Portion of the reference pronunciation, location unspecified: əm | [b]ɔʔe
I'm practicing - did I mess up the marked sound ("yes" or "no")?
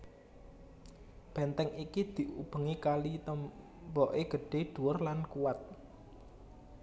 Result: no